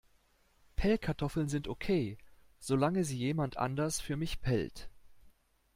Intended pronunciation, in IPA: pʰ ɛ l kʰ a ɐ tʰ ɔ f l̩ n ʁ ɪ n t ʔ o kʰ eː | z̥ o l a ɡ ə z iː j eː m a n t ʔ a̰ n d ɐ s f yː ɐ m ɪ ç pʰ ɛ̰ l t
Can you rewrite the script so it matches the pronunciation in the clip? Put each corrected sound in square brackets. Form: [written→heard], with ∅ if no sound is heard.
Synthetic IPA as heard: pʰ ɛ l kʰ a ɐ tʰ ɔ f l̩ n [ʁ→z] ɪ n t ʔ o kʰ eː | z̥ o l a [ɡ→ŋ] ə z iː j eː m a n t ʔ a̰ n d ɐ s f yː ɐ m ɪ ç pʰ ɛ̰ l t